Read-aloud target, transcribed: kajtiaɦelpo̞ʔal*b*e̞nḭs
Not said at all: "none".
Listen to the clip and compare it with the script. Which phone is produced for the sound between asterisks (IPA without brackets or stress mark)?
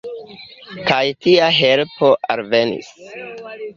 v